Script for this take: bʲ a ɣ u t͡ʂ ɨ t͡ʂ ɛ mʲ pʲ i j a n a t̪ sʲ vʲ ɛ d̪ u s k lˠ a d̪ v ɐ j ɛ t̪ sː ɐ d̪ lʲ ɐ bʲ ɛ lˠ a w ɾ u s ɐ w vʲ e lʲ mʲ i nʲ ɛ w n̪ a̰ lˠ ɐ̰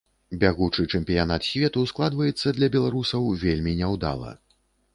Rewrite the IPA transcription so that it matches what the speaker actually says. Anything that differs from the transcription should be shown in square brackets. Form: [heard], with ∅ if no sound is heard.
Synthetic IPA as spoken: bʲ a ɣ u t͡ʂ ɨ t͡ʂ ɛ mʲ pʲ i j a n a t̪ sʲ vʲ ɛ [t̪] u s k lˠ a d̪ v ɐ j ɛ t̪ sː ɐ d̪ lʲ ɐ bʲ ɛ lˠ a [∅] ɾ u s ɐ w vʲ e lʲ mʲ i nʲ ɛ w [d̪] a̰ lˠ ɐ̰